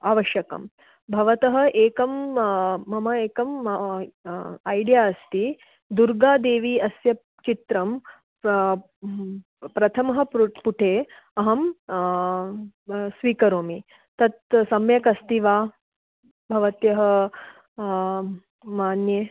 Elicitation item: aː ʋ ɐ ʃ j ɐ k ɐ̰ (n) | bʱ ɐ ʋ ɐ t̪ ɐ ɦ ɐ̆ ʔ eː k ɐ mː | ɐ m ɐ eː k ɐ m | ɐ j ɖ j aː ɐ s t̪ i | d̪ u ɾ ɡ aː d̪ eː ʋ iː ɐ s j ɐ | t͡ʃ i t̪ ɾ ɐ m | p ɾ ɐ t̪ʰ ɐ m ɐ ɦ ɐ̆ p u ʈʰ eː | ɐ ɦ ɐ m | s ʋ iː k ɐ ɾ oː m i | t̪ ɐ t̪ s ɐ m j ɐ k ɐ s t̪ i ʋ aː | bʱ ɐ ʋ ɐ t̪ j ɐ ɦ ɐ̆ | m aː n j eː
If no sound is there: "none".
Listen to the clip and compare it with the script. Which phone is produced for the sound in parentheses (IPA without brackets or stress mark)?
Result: m